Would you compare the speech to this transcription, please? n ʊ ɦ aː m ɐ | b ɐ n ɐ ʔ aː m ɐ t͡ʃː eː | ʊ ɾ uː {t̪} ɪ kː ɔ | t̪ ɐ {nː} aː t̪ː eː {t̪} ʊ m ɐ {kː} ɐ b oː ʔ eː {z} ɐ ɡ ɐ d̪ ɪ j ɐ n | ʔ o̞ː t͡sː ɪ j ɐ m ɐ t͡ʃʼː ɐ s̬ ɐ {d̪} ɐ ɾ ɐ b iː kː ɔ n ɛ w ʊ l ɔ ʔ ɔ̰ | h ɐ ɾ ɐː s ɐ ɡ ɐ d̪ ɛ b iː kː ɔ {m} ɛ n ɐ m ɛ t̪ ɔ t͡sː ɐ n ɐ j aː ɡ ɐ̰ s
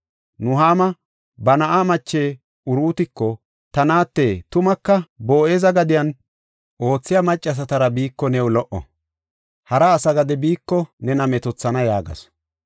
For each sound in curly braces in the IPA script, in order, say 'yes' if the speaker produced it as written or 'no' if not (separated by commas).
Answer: yes, no, yes, yes, yes, no, no